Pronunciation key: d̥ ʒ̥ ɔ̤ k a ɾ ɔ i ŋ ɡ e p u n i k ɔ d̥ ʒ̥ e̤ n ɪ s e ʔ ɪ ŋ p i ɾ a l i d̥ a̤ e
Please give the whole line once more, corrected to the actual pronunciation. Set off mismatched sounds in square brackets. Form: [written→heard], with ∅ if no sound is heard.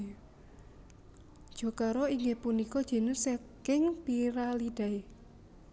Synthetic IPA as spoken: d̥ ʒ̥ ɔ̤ k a ɾ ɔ i ŋ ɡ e p u n i k ɔ d̥ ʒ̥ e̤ n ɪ s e [ʔ→k] ɪ ŋ p i ɾ a l i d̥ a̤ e